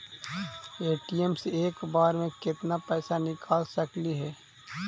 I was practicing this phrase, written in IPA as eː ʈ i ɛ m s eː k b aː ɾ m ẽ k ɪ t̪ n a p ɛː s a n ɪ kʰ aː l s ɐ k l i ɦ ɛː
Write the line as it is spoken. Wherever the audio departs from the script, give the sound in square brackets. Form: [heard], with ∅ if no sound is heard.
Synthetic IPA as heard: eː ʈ i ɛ m s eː k b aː ɾ m ẽ k ɪ t̪ n a p ɛː s a n ɪ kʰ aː l s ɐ k l i ɦ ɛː

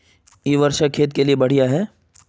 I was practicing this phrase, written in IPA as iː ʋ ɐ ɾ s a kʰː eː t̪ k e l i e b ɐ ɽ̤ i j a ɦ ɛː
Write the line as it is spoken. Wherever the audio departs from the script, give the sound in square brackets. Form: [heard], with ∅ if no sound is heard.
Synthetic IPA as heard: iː ʋ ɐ ɾ [ʃ] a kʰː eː t̪ k e l i e b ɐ ɽ̤ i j a ɦ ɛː

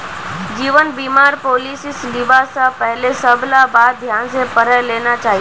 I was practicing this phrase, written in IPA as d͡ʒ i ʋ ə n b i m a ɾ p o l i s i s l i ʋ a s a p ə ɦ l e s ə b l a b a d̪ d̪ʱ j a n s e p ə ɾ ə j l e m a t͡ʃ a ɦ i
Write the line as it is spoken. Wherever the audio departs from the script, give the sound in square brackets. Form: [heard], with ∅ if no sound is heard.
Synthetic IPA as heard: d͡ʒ i ʋ ə n b i m a ɾ p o l i s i s l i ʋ a s a p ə ɦ l e s ə b l a b a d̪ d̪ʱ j a n s e p ə ɾ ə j l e [n] a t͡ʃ a ɦ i

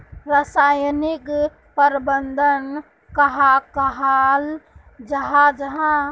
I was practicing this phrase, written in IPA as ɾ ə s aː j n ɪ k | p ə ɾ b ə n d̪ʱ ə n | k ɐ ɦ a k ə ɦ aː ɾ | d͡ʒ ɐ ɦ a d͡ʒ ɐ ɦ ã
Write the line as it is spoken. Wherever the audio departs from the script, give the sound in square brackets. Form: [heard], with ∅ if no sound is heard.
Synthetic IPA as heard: ɾ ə s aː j n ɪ k | p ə ɾ b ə n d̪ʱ ə n | k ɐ ɦ a k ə ɦ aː [l] | d͡ʒ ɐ ɦ a d͡ʒ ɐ ɦ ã

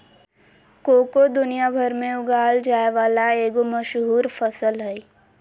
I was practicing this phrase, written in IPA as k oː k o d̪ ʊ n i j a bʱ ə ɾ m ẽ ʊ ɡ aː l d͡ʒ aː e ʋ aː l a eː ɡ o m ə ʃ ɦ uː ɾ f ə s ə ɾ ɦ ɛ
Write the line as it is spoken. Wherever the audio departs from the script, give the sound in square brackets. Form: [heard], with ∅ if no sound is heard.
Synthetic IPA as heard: k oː k o d̪ ʊ n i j a bʱ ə ɾ m ẽ ʊ ɡ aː l d͡ʒ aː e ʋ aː l a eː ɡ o m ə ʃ ɦ uː ɾ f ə s ə [l] ɦ ɛ

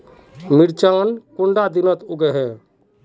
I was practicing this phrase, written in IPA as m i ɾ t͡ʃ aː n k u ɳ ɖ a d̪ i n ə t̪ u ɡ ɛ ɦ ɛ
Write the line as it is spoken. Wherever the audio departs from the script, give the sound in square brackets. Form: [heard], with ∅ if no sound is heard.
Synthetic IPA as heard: m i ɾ t͡ʃ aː n k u ɳ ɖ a d̪ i n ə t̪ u ɡ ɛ ɦ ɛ

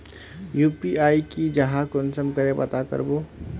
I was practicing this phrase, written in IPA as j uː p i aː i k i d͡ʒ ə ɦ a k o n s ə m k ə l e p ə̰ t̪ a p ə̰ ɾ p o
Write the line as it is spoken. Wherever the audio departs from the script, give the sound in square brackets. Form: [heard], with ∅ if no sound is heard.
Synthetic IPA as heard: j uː p i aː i k i d͡ʒ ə ɦ a k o n s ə m k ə [ɾ] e p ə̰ t̪ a [k] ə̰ ɾ [b] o

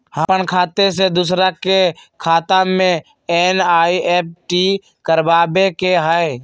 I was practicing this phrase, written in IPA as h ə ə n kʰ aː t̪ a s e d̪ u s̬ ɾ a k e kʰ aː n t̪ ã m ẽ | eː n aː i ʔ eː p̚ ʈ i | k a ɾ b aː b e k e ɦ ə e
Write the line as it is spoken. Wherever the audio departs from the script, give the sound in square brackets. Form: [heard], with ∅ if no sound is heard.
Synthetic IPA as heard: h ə ə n kʰ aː t̪ [e] s e d̪ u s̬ ɾ a k e kʰ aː [∅] t̪ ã m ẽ | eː n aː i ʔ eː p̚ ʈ i | k [ə] ɾ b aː b e k e ɦ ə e

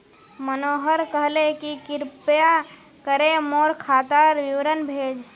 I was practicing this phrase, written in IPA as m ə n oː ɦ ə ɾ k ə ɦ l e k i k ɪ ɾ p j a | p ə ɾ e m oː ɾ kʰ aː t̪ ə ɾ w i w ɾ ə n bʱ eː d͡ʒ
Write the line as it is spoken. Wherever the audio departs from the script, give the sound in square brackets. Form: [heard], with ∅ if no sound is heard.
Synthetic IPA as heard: m ə n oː ɦ ə ɾ k ə ɦ l e k i k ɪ ɾ p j a | [k] ə ɾ e m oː ɾ kʰ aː t̪ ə ɾ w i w ɾ ə n bʱ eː d͡ʒ

